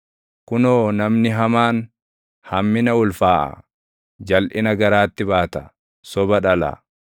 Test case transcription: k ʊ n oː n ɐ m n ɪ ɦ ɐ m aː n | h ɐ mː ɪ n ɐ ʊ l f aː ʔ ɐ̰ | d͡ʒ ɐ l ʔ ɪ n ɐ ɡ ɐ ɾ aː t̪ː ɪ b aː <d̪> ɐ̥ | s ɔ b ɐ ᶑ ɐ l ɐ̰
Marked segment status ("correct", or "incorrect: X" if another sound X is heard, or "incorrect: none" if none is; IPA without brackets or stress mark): incorrect: t̪